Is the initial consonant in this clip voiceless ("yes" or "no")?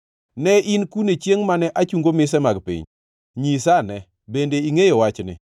no